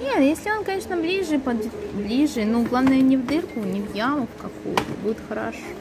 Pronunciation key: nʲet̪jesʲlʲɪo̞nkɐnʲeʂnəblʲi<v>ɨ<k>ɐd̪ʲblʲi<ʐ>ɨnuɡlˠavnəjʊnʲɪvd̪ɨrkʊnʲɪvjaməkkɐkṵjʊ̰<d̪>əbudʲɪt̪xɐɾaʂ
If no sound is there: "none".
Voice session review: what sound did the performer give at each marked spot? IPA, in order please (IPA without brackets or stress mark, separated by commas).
ʐ, p, ʐ, t̪